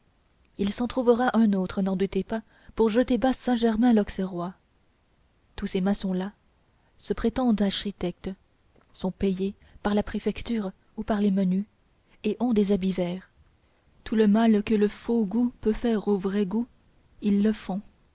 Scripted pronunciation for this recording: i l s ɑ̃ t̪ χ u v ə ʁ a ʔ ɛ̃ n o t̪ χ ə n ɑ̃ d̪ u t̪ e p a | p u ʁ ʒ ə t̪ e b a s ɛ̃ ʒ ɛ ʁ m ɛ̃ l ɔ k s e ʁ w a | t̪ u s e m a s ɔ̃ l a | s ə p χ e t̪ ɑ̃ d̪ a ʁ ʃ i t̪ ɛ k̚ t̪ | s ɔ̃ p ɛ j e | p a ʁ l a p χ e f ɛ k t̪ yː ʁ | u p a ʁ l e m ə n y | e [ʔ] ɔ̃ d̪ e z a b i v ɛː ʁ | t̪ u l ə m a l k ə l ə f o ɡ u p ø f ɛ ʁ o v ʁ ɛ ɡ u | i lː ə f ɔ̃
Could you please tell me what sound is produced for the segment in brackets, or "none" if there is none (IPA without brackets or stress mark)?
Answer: ʔ